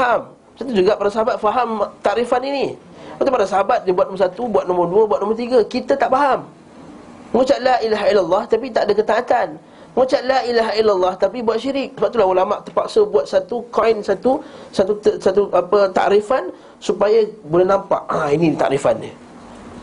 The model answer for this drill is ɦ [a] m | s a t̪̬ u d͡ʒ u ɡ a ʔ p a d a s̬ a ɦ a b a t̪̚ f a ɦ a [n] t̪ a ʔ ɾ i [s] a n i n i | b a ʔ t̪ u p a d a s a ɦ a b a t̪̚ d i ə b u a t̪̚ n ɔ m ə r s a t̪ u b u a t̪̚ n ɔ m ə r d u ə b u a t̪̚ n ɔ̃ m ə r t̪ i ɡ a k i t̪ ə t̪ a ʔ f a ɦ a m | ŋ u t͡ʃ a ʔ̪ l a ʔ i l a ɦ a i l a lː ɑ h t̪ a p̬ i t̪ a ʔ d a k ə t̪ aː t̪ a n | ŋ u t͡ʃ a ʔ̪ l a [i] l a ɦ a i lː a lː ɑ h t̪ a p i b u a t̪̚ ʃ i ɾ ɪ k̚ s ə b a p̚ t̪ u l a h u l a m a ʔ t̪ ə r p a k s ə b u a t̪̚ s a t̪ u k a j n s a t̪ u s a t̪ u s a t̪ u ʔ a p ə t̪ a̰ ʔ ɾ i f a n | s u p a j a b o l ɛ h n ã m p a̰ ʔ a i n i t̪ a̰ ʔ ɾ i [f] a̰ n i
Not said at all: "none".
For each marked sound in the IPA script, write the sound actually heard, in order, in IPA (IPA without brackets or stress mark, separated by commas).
a, m, f, i, f